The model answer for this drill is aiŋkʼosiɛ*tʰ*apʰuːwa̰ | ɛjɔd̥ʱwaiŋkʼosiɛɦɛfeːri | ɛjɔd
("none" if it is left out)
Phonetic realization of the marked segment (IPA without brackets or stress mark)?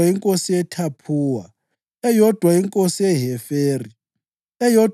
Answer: tʰ